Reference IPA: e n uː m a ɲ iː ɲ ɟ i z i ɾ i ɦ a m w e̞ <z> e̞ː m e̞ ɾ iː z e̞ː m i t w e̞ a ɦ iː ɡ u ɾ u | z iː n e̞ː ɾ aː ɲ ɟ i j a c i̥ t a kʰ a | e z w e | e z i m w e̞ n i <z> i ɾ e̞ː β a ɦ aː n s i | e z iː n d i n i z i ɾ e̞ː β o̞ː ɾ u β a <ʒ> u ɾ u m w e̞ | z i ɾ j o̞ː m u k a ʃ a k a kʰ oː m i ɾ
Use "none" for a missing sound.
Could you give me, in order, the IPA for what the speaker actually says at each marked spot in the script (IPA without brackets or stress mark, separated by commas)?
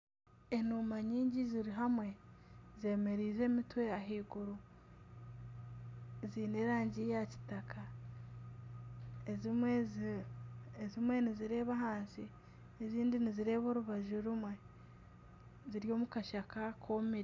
z, z, ʒ